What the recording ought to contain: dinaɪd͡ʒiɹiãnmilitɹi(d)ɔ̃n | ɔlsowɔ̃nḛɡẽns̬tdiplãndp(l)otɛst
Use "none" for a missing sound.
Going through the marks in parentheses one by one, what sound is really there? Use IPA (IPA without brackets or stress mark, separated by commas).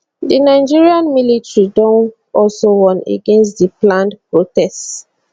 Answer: d, ɹ